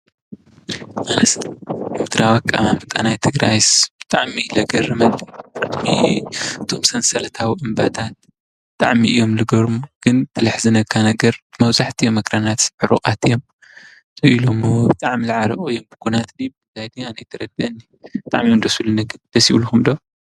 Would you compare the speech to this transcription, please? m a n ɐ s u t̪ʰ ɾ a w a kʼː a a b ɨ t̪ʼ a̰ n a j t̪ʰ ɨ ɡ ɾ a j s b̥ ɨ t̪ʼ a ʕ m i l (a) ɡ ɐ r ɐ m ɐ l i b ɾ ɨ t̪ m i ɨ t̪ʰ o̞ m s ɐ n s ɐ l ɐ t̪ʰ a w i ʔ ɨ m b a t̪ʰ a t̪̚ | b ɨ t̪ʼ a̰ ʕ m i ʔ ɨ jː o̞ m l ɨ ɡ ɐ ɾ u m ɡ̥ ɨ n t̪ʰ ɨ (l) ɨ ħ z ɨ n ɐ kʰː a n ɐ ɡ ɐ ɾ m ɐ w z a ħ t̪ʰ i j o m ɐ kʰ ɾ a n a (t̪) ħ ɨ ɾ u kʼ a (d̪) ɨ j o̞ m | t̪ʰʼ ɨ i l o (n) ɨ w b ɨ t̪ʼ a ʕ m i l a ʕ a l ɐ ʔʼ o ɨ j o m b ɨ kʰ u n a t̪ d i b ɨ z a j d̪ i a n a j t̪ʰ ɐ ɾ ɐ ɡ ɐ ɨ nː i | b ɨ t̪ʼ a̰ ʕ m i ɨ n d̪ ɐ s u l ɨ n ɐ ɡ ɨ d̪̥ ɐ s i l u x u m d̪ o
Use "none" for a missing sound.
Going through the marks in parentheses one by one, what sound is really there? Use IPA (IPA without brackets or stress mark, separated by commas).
ɐ, l, t̪, t̪, m